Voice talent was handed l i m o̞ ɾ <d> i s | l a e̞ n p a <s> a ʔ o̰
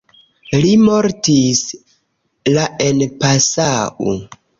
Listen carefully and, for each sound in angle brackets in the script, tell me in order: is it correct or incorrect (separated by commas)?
incorrect, correct